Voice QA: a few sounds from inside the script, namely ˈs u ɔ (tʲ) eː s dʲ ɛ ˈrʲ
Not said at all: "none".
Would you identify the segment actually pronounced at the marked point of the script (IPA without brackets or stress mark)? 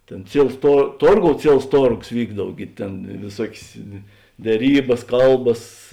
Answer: kʲ